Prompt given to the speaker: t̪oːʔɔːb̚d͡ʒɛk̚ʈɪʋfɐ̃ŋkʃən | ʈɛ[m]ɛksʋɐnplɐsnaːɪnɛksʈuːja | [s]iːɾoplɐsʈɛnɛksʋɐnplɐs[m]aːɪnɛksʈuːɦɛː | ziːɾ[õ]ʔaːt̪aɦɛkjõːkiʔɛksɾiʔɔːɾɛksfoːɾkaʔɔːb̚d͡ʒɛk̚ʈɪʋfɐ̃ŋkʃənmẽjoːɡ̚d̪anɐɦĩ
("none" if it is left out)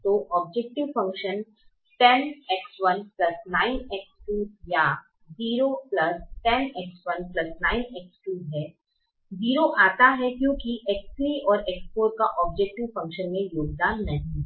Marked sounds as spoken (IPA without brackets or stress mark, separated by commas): n, z, n, o